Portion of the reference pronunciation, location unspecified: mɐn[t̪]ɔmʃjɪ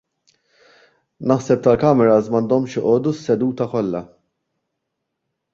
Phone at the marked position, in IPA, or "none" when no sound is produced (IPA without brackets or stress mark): d̪